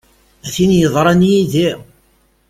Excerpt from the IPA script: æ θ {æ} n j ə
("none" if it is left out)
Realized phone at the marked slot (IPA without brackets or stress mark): i